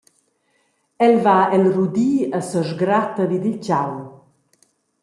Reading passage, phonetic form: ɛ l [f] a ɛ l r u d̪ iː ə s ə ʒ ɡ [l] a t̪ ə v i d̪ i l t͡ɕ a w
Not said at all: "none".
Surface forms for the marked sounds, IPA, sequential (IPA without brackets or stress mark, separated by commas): v, ɾ